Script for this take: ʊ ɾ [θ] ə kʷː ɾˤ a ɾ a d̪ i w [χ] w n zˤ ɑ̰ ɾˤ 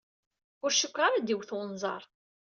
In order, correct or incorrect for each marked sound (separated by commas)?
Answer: incorrect, incorrect